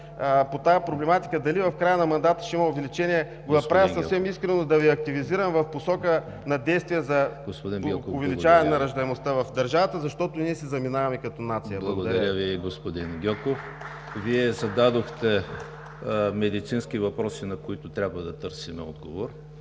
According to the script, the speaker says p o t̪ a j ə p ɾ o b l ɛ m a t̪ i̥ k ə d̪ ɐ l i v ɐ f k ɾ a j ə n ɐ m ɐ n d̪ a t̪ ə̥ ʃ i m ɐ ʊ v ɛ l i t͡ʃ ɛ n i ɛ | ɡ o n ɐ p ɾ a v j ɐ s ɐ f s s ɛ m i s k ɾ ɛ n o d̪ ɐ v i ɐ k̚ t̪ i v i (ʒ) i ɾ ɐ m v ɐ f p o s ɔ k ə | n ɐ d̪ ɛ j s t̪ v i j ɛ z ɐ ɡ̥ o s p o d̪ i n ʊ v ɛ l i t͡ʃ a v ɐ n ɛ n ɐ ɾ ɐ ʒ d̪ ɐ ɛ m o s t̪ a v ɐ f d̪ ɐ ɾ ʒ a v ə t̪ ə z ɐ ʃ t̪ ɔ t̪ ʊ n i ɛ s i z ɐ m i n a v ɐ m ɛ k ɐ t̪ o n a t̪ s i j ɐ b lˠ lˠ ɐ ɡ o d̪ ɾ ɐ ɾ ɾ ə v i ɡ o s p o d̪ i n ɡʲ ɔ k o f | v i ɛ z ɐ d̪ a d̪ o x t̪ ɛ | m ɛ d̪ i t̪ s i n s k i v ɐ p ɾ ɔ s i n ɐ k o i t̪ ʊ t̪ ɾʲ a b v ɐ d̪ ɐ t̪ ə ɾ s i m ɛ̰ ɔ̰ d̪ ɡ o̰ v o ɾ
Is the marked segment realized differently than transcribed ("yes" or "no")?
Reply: yes